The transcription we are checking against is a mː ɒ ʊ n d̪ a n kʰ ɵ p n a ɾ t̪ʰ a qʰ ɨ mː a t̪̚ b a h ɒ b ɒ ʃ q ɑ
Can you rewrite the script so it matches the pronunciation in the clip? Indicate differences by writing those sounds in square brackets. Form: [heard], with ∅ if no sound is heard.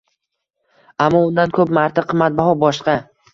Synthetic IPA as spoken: a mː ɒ ʊ n d̪ a n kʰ ɵ p [m] a ɾ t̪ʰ a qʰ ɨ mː a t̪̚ b a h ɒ b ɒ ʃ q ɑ